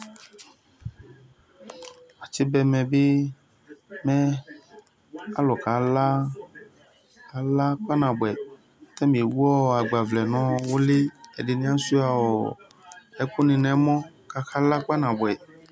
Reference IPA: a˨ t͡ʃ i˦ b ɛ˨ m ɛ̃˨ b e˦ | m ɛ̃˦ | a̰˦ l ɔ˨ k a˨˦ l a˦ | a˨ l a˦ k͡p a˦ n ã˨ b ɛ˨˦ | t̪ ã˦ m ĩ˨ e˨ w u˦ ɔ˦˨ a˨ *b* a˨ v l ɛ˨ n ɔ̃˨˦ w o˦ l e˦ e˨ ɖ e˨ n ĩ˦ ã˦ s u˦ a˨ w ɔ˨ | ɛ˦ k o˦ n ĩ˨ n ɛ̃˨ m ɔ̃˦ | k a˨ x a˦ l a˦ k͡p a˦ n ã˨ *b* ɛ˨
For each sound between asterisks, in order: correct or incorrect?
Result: incorrect, correct

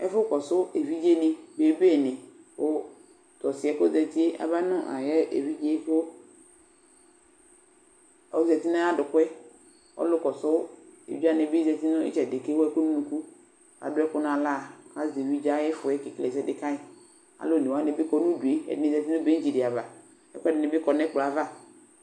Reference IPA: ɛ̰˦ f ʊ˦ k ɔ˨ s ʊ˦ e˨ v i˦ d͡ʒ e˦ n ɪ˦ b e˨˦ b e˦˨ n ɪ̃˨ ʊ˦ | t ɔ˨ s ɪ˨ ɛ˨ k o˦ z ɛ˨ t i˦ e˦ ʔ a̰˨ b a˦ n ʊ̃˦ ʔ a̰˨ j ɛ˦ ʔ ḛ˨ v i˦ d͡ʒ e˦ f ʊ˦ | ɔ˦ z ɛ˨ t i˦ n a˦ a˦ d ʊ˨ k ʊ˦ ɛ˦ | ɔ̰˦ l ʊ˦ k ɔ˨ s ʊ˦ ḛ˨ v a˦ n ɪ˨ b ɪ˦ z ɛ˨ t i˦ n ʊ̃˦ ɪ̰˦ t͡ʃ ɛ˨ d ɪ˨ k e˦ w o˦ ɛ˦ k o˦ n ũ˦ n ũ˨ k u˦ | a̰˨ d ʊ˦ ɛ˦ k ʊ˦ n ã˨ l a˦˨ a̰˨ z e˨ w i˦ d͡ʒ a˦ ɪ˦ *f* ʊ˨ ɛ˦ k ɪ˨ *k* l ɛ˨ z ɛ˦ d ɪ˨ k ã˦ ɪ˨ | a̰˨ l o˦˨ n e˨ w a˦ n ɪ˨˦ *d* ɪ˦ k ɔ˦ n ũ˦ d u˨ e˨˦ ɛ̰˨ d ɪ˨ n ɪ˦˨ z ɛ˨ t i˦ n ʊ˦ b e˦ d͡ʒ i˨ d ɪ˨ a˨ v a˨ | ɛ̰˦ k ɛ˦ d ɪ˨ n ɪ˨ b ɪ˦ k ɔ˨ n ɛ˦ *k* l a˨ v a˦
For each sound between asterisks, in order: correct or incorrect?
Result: correct, correct, incorrect, incorrect

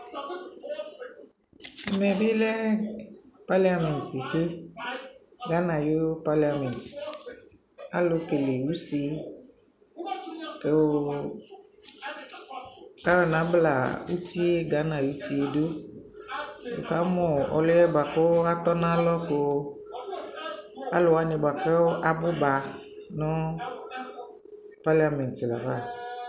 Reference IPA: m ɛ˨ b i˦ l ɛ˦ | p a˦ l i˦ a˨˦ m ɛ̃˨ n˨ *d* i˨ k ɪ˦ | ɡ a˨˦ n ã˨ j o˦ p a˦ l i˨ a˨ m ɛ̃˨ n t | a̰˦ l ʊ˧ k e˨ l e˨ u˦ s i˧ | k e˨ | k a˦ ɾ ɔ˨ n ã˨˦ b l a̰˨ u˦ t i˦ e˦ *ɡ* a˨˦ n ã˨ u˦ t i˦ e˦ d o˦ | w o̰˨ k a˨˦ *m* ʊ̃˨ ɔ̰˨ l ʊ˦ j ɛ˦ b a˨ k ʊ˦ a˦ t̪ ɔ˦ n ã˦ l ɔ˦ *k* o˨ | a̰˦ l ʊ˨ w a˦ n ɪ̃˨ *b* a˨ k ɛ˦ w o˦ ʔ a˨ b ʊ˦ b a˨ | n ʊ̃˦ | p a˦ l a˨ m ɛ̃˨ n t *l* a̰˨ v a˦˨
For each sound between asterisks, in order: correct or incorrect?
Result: incorrect, correct, correct, correct, correct, correct

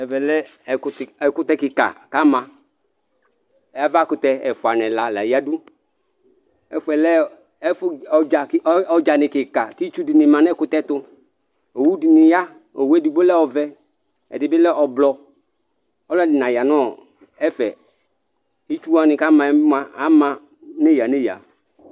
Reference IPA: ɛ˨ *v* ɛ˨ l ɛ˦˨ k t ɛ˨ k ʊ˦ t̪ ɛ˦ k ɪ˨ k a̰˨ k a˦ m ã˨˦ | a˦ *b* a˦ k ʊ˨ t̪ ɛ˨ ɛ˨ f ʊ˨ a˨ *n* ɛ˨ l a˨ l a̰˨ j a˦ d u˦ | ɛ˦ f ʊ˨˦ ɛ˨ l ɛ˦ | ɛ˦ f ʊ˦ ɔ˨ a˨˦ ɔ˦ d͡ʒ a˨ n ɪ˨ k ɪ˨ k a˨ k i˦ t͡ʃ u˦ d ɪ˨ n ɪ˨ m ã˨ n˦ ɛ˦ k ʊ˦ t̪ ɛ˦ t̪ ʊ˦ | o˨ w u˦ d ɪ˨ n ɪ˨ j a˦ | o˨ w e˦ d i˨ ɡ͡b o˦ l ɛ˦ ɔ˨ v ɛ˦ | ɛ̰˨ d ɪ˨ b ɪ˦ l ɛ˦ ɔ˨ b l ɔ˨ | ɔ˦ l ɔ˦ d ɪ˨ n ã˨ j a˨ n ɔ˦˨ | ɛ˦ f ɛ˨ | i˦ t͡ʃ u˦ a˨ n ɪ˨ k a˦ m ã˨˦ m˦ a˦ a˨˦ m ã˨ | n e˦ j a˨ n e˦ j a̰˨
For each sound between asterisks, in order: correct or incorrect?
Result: correct, incorrect, correct

